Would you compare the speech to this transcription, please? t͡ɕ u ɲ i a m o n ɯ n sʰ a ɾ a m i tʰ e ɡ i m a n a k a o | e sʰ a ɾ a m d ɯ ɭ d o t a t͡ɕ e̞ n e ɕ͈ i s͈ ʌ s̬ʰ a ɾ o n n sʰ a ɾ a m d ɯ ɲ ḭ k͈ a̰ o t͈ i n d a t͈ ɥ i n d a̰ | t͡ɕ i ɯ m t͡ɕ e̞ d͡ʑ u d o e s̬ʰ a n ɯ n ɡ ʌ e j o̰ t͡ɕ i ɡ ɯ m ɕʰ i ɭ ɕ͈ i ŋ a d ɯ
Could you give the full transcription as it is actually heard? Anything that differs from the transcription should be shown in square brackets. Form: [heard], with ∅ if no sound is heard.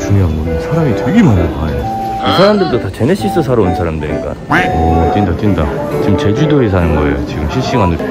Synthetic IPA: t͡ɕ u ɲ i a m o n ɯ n sʰ a ɾ a m i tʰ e ɡ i m a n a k a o | [i] sʰ a ɾ a m d ɯ ɭ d o t a t͡ɕ e̞ n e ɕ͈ i s͈ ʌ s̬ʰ a ɾ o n n sʰ a ɾ a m d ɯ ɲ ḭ k͈ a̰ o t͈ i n d a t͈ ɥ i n d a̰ | t͡ɕ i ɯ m t͡ɕ e̞ d͡ʑ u d o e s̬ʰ a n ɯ n ɡ ʌ e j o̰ t͡ɕ i ɡ ɯ m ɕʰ i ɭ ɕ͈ i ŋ a [n] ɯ